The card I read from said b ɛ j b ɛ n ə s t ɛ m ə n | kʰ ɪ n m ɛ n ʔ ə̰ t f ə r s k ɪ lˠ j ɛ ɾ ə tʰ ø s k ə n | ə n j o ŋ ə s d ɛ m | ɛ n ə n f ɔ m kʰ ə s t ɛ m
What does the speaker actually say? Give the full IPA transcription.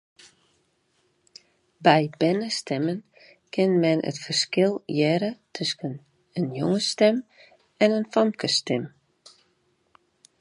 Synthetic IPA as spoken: b ɛ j b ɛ n ə s t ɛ m ə n | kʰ ɪ n m ɛ n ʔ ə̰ t f ə r s k ɪ lˠ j ɛ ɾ ə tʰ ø s k ə n | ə n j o ŋ ə s t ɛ m | ɛ n ə n f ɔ m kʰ ə s t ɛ m